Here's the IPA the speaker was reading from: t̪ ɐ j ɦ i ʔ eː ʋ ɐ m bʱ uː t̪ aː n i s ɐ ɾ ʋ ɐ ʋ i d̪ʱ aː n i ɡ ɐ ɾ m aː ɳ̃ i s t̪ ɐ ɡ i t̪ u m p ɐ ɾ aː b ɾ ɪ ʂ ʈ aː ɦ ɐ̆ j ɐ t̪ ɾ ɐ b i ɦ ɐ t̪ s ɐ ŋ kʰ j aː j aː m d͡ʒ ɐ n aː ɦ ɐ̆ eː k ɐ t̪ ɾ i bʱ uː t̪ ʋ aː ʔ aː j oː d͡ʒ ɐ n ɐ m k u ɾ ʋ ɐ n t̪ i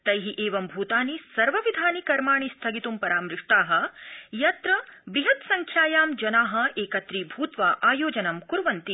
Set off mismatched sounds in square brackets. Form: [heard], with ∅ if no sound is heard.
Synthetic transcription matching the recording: t̪ ɐ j ɦ i ʔ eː ʋ ɐ m bʱ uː t̪ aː n i s ɐ ɾ ʋ ɐ ʋ i d̪ʱ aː n i [k] ɐ ɾ m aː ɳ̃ i s [t̪ʰ] ɐ ɡ i t̪ u m p ɐ ɾ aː [m] ɾ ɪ ʂ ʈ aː ɦ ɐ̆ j ɐ t̪ ɾ ɐ b i ɦ ɐ t̪ s ɐ ŋ kʰ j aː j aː m d͡ʒ ɐ n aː ɦ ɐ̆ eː k ɐ t̪ ɾ i bʱ uː t̪ ʋ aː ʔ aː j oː d͡ʒ ɐ n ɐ m k u ɾ ʋ ɐ n t̪ i